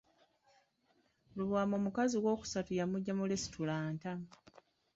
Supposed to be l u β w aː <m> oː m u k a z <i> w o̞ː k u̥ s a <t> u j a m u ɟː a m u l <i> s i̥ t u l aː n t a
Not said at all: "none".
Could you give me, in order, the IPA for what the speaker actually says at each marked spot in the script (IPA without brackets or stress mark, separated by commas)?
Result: m, i, t, e